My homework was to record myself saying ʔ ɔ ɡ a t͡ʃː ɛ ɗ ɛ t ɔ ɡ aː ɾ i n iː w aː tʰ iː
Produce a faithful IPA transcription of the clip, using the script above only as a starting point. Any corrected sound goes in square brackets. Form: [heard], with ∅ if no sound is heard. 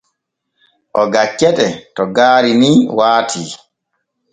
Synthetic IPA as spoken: ʔ ɔ ɡ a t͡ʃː ɛ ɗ ɛ t ɔ ɡ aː ɾ i n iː w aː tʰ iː